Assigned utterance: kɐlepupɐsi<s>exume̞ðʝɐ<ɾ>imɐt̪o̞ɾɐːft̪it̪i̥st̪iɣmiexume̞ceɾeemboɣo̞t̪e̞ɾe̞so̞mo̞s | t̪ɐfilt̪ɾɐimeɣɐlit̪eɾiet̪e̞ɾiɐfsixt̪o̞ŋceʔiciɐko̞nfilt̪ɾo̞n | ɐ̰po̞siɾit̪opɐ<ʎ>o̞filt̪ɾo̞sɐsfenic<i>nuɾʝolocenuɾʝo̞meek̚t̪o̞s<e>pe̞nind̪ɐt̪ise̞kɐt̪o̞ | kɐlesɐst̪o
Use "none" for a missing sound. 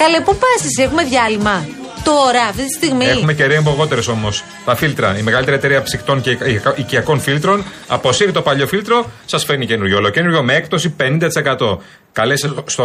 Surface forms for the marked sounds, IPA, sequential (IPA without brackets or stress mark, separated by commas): s, l, ʎ, e, i